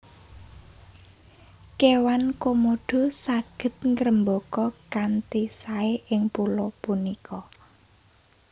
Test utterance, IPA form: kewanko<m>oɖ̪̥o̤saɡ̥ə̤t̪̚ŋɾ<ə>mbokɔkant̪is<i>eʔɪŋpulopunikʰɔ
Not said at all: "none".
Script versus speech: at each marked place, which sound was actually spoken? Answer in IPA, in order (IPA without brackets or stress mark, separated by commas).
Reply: m, ə, a